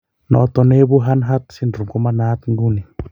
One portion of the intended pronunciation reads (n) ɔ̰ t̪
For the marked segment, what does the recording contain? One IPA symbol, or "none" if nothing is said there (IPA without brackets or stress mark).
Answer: n